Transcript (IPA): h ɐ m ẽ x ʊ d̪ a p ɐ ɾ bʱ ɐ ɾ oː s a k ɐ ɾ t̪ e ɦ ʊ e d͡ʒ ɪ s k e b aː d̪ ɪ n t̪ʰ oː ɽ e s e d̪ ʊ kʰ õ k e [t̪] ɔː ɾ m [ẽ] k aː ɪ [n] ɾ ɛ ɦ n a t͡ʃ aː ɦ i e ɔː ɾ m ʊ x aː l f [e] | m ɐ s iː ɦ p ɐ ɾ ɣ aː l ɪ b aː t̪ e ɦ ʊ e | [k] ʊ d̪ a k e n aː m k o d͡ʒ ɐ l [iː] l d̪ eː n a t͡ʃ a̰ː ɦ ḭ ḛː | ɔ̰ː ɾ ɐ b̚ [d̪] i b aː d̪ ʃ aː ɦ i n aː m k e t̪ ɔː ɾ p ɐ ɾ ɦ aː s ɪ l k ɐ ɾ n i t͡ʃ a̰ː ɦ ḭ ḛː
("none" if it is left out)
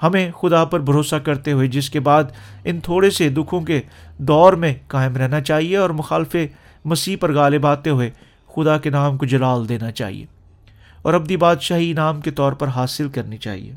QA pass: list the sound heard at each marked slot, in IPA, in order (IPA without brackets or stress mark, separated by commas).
d̪, ẽ, m, e, x, aː, d̪